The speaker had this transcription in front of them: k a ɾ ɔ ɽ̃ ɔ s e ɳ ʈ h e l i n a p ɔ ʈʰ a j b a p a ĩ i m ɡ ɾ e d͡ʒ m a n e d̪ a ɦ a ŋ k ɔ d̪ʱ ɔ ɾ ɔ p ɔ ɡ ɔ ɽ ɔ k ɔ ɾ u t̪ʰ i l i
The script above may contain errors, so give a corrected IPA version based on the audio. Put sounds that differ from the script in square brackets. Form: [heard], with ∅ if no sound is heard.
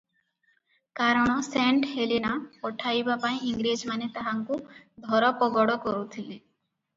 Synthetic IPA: k a ɾ ɔ ɽ̃ ɔ s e ɳ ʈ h e l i n a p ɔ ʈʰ a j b a p a ĩ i [ŋ] ɡ ɾ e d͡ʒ m a n e [t̪] a ɦ a ŋ k [u] d̪ʱ ɔ ɾ ɔ p ɔ ɡ ɔ ɽ ɔ k ɔ ɾ u t̪ʰ i l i